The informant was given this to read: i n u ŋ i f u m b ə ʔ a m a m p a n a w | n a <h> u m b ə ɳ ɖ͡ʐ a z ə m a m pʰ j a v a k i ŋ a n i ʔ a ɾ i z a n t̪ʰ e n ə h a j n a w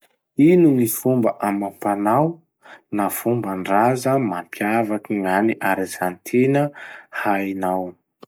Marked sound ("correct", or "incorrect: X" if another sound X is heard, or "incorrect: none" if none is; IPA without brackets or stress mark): incorrect: f